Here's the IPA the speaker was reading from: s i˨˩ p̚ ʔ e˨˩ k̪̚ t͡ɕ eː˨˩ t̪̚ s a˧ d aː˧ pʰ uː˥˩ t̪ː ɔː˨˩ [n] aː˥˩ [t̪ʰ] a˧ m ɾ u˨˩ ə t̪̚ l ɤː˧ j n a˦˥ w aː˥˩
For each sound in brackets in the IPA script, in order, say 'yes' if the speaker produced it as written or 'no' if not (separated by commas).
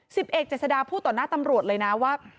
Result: yes, no